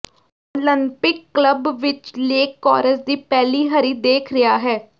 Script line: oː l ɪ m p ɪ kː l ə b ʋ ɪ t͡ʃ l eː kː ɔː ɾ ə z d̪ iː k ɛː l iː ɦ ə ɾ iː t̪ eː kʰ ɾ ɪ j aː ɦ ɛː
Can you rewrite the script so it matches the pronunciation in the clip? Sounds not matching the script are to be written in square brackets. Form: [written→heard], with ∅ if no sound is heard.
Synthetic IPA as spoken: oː l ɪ m p ɪ kː l ə b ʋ ɪ t͡ʃ l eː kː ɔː ɾ ə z d̪ iː [k→p] ɛː l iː ɦ ə ɾ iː [t̪→d̪] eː kʰ ɾ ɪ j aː ɦ ɛː